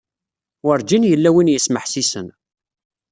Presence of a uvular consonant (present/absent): absent